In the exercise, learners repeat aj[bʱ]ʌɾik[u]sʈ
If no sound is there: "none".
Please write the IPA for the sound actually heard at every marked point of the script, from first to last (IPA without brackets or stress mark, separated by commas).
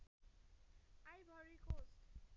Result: bʱ, o